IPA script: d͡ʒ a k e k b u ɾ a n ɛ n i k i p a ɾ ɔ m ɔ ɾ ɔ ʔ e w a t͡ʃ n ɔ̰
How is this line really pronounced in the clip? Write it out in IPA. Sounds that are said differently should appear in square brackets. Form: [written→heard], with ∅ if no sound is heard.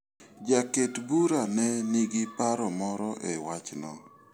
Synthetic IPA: d͡ʒ a k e [k→t] b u ɾ a n ɛ n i [k→ɡ] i p a ɾ ɔ m ɔ ɾ ɔ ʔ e w a t͡ʃ n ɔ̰

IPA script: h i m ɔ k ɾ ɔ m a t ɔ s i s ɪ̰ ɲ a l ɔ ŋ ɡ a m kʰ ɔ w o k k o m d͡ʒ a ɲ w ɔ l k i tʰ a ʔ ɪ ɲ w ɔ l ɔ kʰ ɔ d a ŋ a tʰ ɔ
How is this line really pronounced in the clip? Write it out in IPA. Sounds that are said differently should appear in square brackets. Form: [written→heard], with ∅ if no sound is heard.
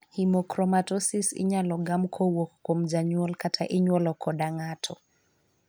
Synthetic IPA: h i m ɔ k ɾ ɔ m a t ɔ s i s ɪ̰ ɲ a l ɔ [ŋ→∅] ɡ a m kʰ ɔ w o k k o m d͡ʒ a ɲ w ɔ l k [i→a] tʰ a ʔ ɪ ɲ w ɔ l ɔ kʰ ɔ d a ŋ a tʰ ɔ

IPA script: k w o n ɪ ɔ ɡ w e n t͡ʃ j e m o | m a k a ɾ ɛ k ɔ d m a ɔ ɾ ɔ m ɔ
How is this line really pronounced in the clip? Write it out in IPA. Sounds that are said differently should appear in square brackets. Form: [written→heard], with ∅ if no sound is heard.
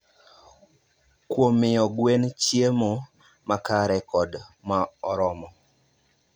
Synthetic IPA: k w o [n→m] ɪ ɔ ɡ w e n t͡ʃ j e m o | m a k a ɾ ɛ k ɔ d m a ɔ ɾ ɔ m ɔ

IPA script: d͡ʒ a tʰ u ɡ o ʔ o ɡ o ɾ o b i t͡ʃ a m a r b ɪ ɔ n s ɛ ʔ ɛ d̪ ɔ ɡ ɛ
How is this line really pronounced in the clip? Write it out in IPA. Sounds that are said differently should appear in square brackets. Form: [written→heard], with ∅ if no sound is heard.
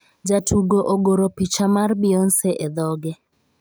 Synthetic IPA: d͡ʒ a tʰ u ɡ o ʔ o ɡ o ɾ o [b→p] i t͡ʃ a m a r b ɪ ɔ n s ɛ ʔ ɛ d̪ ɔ ɡ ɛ

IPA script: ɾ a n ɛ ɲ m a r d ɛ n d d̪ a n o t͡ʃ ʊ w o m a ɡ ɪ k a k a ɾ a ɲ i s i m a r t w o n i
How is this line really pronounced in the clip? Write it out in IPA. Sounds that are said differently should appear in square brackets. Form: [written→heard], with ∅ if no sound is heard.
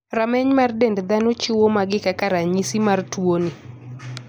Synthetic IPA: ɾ a [n→m] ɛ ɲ m a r d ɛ n d d̪ a n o t͡ʃ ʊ w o m a ɡ ɪ k a k a ɾ a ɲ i s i m a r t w o n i

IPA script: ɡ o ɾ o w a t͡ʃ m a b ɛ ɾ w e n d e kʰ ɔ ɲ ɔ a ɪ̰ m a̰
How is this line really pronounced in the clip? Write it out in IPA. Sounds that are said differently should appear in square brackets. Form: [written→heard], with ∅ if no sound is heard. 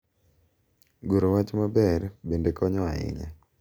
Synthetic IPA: ɡ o ɾ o w a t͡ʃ m a b ɛ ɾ [w→b] e n d e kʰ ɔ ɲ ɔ a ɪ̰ [m→ɲ] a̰

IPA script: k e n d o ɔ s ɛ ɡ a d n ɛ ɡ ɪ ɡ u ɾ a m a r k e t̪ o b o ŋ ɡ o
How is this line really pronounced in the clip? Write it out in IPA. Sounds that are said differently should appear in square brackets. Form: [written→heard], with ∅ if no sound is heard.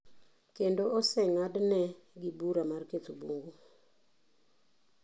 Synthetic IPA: k e n d o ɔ s ɛ [ɡ→ŋ] a d n ɛ ɡ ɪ [ɡ→b] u ɾ a m a r k e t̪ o b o ŋ ɡ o

